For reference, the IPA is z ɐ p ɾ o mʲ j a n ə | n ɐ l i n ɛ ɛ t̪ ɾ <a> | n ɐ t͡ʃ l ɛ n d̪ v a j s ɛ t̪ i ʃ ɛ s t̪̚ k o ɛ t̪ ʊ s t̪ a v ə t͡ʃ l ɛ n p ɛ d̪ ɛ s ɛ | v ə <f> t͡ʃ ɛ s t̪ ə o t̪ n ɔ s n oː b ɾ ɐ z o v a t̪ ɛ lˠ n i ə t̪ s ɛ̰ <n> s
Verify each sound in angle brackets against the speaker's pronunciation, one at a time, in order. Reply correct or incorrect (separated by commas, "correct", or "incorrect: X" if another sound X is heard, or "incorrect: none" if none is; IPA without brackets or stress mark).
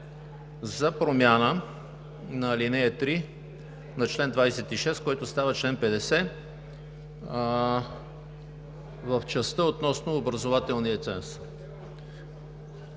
incorrect: i, correct, correct